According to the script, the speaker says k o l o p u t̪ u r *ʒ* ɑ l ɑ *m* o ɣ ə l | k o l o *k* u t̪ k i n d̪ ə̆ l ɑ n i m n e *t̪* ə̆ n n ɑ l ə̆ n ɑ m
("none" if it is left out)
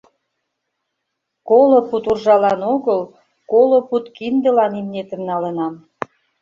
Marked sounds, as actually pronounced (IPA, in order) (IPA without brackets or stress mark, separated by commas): ʒ, n, p, t̪